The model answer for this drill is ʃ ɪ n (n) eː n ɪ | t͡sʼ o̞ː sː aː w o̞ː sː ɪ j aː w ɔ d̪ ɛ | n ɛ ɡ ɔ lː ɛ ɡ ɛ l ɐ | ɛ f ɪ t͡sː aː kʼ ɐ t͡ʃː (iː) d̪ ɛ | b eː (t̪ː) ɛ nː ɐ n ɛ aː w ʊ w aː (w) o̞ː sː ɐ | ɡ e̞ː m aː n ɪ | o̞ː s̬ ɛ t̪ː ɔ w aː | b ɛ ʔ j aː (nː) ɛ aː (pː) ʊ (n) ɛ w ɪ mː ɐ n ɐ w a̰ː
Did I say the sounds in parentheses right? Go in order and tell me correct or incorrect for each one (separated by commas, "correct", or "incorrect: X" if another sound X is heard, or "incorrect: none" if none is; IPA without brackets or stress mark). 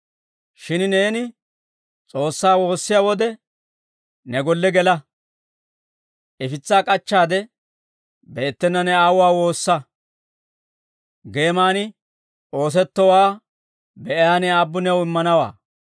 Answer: correct, incorrect: aː, correct, correct, incorrect: n, incorrect: bː, correct